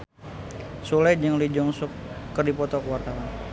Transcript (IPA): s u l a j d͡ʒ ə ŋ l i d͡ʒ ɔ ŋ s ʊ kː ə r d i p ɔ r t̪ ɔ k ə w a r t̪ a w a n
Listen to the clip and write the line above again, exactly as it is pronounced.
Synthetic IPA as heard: s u l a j d͡ʒ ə ŋ l i d͡ʒ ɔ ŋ s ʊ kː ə r d i p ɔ t̪ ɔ k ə w a r t̪ a w a n